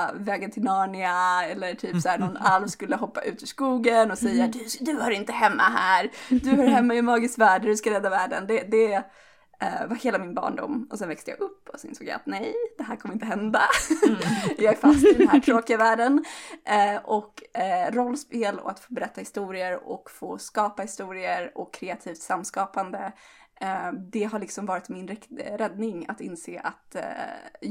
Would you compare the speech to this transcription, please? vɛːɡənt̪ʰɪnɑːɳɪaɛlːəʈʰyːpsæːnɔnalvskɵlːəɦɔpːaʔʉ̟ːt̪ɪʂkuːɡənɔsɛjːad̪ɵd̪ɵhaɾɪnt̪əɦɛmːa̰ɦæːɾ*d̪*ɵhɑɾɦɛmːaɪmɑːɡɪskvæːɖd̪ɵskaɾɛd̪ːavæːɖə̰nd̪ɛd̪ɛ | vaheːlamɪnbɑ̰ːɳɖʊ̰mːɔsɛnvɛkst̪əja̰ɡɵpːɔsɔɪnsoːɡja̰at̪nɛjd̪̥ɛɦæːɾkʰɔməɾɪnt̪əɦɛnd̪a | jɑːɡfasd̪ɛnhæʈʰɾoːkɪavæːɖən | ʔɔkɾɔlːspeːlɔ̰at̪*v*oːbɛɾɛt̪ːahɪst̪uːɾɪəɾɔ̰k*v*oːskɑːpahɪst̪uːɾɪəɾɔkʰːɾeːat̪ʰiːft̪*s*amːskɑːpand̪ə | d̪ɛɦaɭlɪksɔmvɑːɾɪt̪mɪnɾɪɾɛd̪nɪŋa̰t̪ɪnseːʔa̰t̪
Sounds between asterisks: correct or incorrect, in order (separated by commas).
correct, incorrect, incorrect, correct